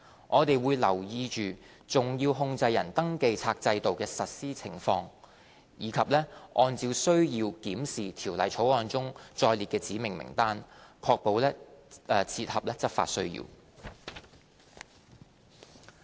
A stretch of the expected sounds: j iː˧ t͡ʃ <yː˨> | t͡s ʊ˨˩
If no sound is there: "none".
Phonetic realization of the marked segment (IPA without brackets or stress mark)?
yː˨